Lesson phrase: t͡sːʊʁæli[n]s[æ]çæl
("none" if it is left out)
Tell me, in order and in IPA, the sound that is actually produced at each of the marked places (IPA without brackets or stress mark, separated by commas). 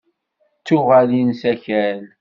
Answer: n, æ